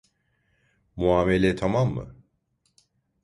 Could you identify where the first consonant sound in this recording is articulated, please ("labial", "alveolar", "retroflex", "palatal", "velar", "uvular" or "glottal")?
labial